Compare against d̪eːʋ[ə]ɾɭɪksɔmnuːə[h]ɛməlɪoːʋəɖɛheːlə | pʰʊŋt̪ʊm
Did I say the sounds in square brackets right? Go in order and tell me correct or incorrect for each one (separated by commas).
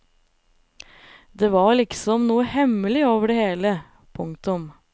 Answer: incorrect, correct